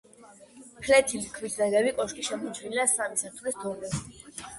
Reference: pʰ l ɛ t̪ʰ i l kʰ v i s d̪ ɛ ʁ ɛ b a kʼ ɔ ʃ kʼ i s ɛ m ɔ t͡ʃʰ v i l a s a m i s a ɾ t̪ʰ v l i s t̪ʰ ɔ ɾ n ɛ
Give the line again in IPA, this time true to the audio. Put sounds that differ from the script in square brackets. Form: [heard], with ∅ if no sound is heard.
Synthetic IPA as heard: pʰ l ɛ t̪ʰ i l kʰ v i s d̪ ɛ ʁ ɛ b [i] kʼ ɔ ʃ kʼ i [ʃ] ɛ m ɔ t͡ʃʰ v i l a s a m i s a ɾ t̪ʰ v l i s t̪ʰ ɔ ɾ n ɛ